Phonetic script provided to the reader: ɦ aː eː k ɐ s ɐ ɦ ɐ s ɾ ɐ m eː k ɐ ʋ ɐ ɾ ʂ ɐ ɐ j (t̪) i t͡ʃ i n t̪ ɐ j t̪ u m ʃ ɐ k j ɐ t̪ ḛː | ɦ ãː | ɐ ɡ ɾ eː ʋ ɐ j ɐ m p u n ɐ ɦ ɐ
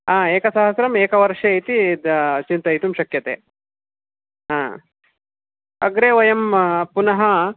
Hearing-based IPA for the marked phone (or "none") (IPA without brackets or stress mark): t̪